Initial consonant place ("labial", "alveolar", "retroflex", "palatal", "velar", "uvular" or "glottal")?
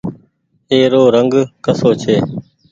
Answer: alveolar